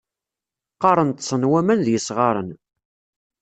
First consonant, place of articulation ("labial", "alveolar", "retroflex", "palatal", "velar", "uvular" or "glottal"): uvular